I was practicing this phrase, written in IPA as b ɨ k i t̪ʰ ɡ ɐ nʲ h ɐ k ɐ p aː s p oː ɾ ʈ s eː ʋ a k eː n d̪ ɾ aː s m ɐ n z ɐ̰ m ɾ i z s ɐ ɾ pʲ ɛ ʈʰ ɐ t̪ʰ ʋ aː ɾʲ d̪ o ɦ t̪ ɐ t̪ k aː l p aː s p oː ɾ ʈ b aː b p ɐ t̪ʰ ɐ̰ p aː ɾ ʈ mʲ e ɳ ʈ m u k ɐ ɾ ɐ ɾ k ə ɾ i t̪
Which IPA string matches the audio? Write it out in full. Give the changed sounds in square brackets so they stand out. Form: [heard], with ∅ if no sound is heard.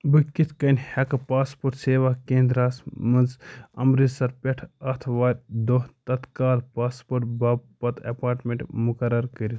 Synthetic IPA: b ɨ k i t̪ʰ [k] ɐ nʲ h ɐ k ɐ p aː s p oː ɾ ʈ s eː ʋ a k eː n d̪ ɾ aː s m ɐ n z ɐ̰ m ɾ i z s ɐ ɾ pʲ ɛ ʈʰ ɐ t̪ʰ ʋ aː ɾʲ d̪ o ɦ t̪ ɐ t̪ k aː l p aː s p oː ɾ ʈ b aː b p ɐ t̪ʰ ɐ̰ p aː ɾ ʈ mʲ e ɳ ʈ m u k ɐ ɾ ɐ ɾ k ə ɾ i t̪